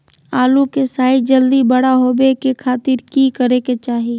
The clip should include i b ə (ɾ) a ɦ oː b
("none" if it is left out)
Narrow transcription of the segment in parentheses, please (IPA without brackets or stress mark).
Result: ɽ